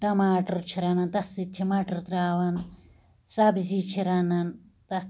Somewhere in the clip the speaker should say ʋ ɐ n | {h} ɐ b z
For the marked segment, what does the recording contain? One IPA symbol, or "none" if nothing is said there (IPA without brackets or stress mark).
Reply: s